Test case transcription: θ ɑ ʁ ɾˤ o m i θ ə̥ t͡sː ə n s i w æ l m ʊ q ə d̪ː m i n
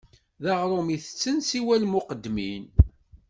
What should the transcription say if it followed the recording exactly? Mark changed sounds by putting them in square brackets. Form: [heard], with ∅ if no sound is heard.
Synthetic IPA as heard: [ð] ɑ ʁ ɾˤ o m i θ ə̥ t͡sː ə n s i w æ l m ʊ q ə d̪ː m i n